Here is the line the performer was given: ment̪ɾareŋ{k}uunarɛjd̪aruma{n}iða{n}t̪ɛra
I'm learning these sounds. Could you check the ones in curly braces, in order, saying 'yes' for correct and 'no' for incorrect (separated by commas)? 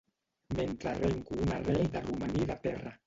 yes, yes, no